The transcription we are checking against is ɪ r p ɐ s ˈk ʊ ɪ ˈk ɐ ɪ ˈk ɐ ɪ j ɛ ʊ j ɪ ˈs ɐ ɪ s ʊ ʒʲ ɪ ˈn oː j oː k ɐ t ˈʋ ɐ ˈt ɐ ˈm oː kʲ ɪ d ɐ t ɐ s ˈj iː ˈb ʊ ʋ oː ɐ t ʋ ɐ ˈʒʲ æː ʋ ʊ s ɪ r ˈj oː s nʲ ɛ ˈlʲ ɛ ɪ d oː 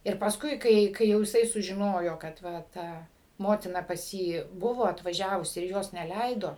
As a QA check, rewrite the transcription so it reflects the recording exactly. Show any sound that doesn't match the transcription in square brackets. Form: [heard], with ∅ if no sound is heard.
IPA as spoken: ɪ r p ɐ s ˈk ʊ ɪ ˈk ɐ ɪ ˈk ɐ ɪ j ɛ ʊ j ɪ ˈs ɐ ɪ s ʊ ʒʲ ɪ ˈn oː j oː k ɐ t ˈʋ ɐ ˈt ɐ ˈm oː [tʲ] ɪ [n] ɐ [p] ɐ s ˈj iː ˈb ʊ ʋ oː ɐ t ʋ ɐ ˈʒʲ æː ʋ ʊ s ɪ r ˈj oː s nʲ ɛ ˈlʲ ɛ ɪ d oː